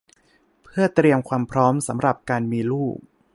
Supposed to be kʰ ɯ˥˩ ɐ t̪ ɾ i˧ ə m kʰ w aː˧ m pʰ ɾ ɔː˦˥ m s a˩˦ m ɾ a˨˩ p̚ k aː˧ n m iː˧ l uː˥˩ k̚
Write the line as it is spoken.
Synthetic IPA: pʰ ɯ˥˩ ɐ t̪ ɾ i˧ ə m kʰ w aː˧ m pʰ ɾ ɔː˦˥ m s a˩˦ m ɾ a˨˩ p̚ k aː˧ n m iː˧ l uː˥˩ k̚